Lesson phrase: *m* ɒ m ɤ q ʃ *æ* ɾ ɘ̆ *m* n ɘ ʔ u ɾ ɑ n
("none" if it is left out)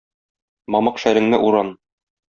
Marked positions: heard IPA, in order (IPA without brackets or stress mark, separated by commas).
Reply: m, æ, ŋ